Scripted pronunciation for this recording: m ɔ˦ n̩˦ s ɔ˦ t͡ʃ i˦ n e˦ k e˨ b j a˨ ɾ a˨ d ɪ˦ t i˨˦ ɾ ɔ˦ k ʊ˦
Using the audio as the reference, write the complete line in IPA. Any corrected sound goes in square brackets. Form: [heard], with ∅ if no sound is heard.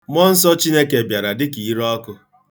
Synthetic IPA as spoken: m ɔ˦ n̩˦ s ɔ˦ t͡ʃ i˦ n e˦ k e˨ b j a˨ ɾ a˨ d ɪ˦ [k] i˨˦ ɾ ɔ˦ k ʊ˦